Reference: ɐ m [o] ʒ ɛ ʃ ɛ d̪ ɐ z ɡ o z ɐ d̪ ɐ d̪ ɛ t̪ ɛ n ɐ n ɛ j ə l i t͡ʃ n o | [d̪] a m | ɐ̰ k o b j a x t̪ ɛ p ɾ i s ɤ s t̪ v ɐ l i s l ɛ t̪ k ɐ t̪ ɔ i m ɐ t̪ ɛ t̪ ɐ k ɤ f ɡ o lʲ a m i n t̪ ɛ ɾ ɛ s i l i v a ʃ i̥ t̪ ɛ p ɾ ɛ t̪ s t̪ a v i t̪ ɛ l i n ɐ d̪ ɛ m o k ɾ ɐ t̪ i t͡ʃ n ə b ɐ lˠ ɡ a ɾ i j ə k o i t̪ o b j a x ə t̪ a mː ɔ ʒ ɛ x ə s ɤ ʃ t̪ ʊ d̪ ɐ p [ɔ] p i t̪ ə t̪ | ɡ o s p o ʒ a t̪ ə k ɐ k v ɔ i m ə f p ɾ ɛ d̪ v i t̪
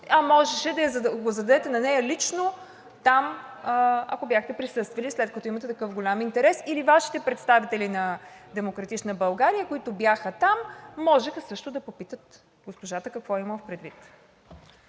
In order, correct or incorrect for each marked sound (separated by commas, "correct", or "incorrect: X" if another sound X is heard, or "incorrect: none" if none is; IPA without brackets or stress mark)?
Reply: incorrect: ɔ, incorrect: t̪, incorrect: o